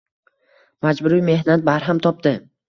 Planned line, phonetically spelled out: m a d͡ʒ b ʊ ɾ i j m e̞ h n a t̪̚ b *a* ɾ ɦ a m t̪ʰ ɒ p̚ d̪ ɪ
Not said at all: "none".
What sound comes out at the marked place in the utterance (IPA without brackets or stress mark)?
a